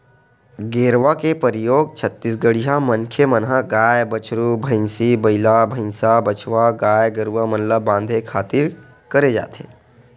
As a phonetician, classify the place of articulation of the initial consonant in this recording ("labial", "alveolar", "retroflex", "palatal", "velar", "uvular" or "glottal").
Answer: velar